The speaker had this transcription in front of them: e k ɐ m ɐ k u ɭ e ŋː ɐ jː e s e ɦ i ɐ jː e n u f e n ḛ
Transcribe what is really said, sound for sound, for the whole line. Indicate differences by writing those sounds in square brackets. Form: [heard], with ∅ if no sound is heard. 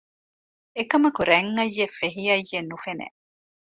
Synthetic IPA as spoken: e k ɐ m ɐ k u [ɾ] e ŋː ɐ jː e [f] e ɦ i ɐ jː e n u f e n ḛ

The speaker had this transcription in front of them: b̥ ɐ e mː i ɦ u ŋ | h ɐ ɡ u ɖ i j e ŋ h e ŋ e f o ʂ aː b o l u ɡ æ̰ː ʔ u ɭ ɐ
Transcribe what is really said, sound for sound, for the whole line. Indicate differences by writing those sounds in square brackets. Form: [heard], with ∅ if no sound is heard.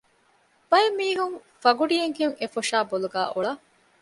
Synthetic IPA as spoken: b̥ ɐ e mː [iː] ɦ u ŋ | [f] ɐ ɡ u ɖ i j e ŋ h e ŋ e f o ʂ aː b o l u ɡ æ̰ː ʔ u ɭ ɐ

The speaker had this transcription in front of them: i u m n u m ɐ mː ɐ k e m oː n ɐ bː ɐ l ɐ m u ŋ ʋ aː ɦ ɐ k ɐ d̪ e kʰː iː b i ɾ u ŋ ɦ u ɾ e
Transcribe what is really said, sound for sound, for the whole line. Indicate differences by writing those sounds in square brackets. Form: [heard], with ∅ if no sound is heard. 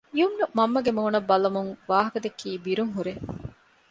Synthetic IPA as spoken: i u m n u m ɐ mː ɐ [ɡ] e m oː n ɐ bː ɐ l ɐ m u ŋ ʋ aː ɦ ɐ k ɐ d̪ e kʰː iː b i ɾ u ŋ ɦ u ɾ e

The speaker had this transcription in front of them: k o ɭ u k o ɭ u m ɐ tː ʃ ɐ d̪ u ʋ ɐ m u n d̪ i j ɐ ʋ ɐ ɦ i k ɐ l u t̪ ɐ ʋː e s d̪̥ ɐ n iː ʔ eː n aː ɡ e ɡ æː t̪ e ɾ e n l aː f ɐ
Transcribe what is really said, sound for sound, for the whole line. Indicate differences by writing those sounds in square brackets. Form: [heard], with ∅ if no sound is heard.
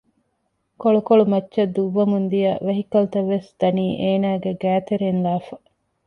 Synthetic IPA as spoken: k o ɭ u k o ɭ u m ɐ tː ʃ ɐ d̪ u [ʋː] ɐ m u n d̪ i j ɐ ʋ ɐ ɦ i k ɐ l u t̪ ɐ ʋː e s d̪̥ ɐ n iː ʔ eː n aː ɡ e ɡ æː t̪ e ɾ e n l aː f ɐ

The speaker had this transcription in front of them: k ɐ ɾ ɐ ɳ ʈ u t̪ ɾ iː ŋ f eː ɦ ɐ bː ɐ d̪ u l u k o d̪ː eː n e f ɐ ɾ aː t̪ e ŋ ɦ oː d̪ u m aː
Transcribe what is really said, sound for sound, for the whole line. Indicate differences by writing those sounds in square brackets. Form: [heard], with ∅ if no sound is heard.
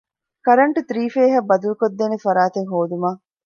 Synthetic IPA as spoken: k ɐ ɾ ɐ ɳ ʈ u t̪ ɾ iː [∅] f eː ɦ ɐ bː ɐ d̪ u l u k o d̪ː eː n e f ɐ ɾ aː t̪ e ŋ ɦ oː d̪ u m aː

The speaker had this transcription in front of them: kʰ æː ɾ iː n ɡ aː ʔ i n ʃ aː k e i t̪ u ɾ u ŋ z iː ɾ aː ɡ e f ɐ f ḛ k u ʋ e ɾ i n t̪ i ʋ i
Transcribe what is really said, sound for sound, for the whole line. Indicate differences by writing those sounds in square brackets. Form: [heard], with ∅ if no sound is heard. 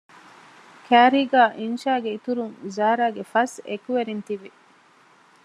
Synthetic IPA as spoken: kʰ æː ɾ iː [∅] ɡ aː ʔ i n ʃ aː [ɡ] e i t̪ u ɾ u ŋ z [aː] ɾ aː ɡ e f ɐ [s] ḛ k u ʋ e ɾ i n t̪ i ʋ i

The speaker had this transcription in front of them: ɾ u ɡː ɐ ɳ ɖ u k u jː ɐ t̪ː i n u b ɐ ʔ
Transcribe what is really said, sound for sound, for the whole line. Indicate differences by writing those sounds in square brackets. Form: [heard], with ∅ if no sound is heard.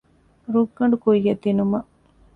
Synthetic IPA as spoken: ɾ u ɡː ɐ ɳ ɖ u k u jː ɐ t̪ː i n u [m] ɐ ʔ

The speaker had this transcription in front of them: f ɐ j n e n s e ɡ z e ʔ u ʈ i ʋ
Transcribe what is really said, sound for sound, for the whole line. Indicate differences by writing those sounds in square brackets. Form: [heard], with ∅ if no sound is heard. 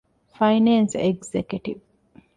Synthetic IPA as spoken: f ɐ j n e n s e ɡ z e [k] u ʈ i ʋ

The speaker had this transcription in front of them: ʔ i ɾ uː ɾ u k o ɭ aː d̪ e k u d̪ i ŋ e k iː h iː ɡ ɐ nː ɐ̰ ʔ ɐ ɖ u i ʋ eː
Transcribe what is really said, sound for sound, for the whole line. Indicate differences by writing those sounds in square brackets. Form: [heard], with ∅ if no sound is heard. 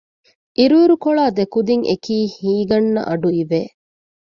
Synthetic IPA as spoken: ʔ i ɾ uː ɾ u k o ɭ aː d̪ e k u d̪ i ŋ e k iː h iː ɡ ɐ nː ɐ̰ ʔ ɐ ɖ u i ʋ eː

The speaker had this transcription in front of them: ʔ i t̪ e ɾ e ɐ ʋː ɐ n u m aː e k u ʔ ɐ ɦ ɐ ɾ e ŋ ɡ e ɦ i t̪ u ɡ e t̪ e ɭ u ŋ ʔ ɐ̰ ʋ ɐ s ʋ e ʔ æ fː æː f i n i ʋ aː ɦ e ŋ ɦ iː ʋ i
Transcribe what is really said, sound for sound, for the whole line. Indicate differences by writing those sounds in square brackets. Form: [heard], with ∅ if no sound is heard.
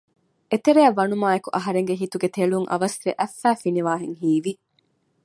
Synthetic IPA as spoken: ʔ [e] t̪ e ɾ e ɐ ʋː ɐ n u m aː e k u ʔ ɐ ɦ ɐ ɾ e ŋ ɡ e ɦ i t̪ u ɡ e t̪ e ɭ u ŋ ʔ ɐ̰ ʋ ɐ s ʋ e ʔ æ fː æː f i n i ʋ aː ɦ e ŋ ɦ iː ʋ i

